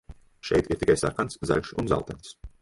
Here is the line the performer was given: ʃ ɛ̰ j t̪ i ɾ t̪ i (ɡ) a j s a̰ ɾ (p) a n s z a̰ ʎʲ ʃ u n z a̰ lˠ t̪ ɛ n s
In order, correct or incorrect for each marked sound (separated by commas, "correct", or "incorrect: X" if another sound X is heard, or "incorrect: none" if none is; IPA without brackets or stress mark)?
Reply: incorrect: k, incorrect: k